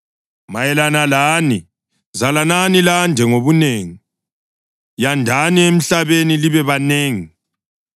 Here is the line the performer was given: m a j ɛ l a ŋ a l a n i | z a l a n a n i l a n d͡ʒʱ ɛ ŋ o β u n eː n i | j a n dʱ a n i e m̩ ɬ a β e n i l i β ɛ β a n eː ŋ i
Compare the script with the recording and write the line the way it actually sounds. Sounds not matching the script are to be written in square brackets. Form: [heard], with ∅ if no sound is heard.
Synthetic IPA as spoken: m a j ɛ l a [n] a l a n i | z a l a n a n i l a n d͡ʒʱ ɛ ŋ o β u n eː [ŋ] i | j a n dʱ a n i e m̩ ɬ a β e n i l i β ɛ β a n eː ŋ i

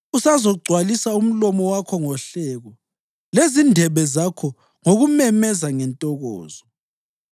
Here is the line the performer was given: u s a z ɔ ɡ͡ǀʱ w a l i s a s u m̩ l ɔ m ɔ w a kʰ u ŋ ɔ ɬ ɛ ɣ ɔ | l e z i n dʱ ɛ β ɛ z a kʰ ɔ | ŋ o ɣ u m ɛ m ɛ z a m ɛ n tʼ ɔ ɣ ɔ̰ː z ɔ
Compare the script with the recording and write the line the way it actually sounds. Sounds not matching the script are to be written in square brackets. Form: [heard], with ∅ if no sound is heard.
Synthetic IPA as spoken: u s a z ɔ ɡ͡ǀʱ w a l i s a [∅] u m̩ l ɔ m ɔ w a kʰ [ɔ] ŋ ɔ ɬ ɛ ɣ ɔ | l e z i n dʱ ɛ β ɛ z a kʰ ɔ | ŋ o ɣ u m ɛ m ɛ z a [ŋ] ɛ n tʼ ɔ ɣ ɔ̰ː z ɔ

